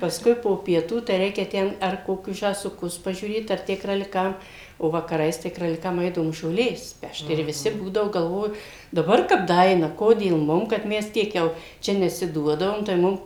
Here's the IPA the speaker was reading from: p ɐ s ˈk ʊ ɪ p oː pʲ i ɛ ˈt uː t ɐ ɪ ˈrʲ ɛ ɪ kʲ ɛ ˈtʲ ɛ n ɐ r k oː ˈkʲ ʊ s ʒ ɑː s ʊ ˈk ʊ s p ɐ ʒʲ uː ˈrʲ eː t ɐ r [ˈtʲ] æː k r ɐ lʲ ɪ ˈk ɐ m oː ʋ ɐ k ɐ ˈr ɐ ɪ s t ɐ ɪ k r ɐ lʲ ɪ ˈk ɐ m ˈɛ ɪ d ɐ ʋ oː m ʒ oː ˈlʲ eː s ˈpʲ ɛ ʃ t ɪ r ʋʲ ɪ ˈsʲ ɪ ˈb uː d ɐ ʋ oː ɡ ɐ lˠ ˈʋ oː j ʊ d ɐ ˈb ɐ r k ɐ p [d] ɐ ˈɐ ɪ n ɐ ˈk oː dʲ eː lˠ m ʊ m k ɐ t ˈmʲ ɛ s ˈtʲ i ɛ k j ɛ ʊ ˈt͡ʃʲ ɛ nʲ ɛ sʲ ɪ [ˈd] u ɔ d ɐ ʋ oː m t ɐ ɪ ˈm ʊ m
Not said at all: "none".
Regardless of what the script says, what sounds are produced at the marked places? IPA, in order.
tʲ, d, d

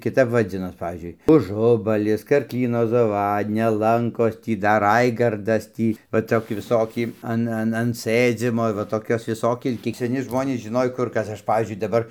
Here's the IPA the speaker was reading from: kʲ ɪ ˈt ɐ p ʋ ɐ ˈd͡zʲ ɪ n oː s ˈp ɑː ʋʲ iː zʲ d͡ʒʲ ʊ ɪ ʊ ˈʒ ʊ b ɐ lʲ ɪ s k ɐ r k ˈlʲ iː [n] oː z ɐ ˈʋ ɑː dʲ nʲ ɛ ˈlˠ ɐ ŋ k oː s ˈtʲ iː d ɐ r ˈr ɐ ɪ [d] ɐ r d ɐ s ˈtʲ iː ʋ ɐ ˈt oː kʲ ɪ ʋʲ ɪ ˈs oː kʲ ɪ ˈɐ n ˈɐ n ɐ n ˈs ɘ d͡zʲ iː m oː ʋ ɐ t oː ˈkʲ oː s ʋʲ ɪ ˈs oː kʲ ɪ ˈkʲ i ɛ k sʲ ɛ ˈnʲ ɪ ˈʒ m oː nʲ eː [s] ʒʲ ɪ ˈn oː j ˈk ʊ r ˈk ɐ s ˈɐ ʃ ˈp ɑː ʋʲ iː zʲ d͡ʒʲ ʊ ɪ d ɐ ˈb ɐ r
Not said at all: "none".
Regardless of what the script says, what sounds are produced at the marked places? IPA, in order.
n, ɡ, s

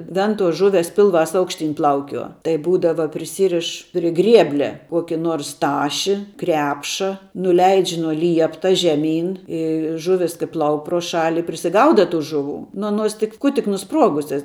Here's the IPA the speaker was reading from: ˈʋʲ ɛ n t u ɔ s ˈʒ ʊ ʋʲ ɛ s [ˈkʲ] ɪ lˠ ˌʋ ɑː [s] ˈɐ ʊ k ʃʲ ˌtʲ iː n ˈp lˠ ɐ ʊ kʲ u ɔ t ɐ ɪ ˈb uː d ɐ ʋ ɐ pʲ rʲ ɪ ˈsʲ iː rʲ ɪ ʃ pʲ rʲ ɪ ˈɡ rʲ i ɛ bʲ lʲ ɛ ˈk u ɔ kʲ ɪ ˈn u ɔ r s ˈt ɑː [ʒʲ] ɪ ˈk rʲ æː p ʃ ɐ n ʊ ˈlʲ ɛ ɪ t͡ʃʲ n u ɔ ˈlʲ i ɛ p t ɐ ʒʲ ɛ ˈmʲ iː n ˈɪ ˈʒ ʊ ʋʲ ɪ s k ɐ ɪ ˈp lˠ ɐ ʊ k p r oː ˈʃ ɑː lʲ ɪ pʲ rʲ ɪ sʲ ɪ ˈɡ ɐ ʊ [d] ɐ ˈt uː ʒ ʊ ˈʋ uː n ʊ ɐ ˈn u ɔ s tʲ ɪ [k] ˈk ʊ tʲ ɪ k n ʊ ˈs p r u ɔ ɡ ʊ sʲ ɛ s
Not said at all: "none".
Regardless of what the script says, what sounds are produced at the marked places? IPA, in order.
pʲ, s, ʃʲ, d, k

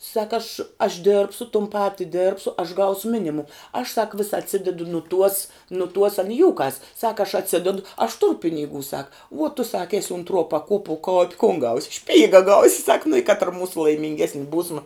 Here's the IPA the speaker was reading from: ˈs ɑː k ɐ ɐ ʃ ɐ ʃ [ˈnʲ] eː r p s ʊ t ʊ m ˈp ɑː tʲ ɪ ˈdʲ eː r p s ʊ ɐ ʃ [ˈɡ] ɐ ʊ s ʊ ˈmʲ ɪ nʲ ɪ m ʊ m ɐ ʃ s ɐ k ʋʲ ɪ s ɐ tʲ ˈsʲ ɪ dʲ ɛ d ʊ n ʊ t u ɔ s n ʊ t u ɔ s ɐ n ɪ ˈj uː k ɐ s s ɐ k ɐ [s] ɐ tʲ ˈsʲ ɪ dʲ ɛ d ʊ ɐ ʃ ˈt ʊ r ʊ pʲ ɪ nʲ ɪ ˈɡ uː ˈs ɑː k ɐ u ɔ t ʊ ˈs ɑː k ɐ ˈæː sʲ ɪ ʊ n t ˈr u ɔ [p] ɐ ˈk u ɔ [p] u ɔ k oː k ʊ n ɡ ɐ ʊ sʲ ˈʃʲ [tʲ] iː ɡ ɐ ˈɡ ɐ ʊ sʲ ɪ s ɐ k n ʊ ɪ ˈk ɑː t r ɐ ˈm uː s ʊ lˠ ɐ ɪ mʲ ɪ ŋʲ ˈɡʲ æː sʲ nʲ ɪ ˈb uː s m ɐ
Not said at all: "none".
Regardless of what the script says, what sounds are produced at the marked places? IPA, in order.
dʲ, ɡ, ʃ, p, p, pʲ

